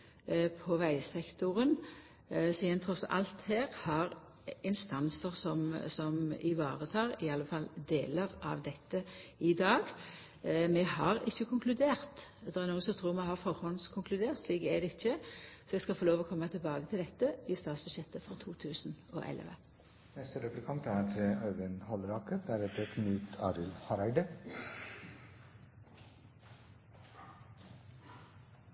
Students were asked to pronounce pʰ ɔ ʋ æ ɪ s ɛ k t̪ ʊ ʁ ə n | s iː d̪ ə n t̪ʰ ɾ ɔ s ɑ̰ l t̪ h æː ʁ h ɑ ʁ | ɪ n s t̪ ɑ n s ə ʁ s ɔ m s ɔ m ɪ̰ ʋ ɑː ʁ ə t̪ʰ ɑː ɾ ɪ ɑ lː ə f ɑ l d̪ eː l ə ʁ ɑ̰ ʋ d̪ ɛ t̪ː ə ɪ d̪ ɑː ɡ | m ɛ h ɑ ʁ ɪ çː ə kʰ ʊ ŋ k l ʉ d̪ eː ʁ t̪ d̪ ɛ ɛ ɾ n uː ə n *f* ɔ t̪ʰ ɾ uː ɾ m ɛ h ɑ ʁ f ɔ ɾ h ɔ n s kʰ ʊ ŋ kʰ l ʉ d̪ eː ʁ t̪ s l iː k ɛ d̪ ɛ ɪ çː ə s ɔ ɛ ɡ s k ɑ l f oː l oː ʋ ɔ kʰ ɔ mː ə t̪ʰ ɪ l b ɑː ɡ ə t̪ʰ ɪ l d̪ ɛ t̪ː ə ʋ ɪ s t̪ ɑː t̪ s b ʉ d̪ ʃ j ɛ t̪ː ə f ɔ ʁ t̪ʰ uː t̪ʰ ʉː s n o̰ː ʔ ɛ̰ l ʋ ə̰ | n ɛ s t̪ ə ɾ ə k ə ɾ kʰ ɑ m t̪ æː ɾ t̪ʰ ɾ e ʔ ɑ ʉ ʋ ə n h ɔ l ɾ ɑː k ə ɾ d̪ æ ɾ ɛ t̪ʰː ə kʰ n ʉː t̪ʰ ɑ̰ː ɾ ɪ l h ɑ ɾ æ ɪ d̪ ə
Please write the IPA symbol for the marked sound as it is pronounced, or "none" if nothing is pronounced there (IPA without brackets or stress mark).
s